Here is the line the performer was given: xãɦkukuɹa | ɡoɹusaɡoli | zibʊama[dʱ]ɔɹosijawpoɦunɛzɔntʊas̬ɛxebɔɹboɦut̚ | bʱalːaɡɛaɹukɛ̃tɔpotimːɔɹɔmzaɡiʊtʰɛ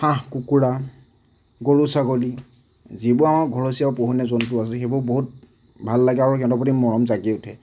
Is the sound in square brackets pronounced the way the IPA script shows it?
no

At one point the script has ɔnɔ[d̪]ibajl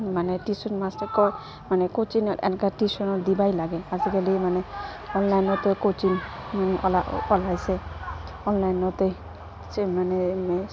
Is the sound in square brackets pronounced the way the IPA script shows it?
yes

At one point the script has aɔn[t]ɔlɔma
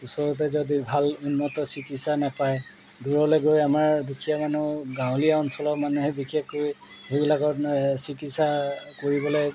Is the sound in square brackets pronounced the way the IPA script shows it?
no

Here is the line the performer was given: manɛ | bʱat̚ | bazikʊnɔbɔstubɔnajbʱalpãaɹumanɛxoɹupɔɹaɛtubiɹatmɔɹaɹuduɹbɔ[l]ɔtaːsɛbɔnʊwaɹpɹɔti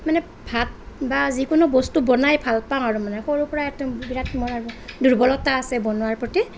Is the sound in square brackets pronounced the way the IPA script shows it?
yes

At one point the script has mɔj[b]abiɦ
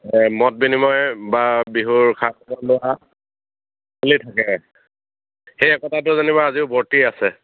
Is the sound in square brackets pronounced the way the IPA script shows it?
yes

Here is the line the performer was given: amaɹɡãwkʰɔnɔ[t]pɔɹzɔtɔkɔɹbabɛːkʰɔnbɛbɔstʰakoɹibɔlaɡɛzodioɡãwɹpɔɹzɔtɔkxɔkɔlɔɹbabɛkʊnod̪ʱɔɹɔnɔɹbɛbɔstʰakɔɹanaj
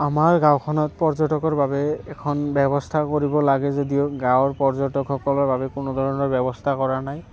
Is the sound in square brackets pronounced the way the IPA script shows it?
yes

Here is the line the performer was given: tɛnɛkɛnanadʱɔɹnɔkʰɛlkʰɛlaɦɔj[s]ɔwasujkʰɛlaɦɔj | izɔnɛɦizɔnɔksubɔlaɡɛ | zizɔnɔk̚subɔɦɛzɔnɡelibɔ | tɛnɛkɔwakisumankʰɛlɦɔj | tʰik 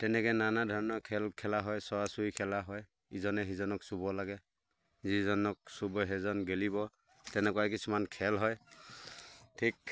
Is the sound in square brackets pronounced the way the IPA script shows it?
yes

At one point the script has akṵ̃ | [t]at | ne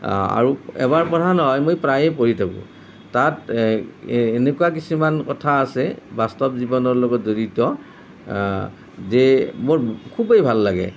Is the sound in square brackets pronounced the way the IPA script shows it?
yes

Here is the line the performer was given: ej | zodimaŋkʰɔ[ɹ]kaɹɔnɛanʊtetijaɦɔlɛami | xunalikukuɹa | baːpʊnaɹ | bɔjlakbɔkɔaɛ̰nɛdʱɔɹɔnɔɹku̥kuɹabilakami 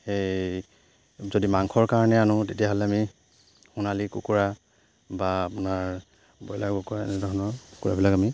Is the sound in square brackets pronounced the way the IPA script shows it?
yes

